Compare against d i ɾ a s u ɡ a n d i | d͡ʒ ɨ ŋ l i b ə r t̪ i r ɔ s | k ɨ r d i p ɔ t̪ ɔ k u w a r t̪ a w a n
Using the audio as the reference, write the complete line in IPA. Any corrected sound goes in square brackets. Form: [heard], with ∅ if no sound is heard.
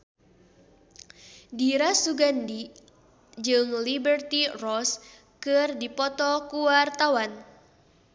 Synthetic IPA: d i ɾ a s u ɡ a n d i | d͡ʒ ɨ ŋ l i b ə r t̪ i r ɔ s | k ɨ r d i p ɔ t̪ ɔ k u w a r t̪ a w a n